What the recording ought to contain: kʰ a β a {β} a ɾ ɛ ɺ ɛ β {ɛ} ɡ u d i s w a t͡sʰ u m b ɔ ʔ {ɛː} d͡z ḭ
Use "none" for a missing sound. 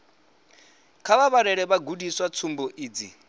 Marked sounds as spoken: β, a, iː

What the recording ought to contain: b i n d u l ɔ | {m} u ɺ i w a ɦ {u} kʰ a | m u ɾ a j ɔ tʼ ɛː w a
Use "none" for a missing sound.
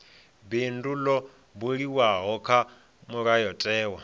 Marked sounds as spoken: b, ɔ

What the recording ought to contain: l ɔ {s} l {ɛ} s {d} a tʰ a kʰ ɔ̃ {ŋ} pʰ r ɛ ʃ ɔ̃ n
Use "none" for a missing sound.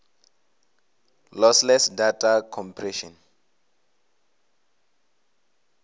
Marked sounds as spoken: s, ɛ, d, m

